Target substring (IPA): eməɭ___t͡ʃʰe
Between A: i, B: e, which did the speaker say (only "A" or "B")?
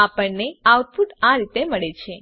B